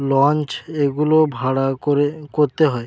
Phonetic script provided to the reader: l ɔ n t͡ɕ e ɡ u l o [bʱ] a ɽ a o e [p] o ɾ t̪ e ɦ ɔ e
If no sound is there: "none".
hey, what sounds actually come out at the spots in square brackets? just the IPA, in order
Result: bʱ, k

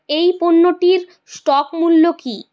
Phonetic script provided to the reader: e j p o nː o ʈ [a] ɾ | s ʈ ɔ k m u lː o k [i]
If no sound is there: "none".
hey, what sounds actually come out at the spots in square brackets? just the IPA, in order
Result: i, i

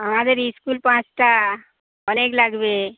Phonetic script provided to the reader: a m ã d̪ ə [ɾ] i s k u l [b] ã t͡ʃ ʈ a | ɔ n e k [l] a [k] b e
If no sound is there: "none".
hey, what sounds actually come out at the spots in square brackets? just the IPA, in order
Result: ɾ, p, l, ɡ

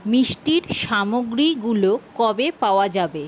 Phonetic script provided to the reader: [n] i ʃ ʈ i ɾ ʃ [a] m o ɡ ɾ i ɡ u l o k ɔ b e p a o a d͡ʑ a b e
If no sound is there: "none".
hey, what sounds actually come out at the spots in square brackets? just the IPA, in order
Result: m, a

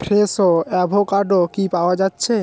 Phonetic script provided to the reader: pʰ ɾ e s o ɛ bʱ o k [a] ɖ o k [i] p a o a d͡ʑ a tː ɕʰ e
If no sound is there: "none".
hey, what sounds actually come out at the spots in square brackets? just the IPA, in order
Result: a, i

